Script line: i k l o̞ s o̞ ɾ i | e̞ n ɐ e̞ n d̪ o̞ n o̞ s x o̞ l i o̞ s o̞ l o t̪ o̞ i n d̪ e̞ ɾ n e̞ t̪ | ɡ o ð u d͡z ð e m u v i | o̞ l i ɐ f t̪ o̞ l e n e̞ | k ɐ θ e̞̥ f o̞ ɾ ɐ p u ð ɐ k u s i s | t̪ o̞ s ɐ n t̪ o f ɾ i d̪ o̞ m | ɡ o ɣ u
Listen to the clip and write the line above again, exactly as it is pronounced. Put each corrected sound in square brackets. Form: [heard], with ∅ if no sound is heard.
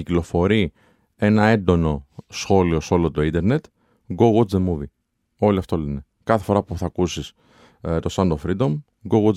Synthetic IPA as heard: i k l o̞ [f] o̞ ɾ i | e̞ n ɐ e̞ n d̪ o̞ n o̞ s x o̞ l i o̞ s o̞ l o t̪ o̞ i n d̪ e̞ ɾ n e̞ t̪ | ɡ o [ɣ] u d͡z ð e m u v i | o̞ l i ɐ f t̪ o̞ l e n e̞ | k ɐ θ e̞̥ f o̞ ɾ ɐ p u [θ] ɐ k u s i s | t̪ o̞ s ɐ n [d̪] o f ɾ i d̪ o̞ m | ɡ o ɣ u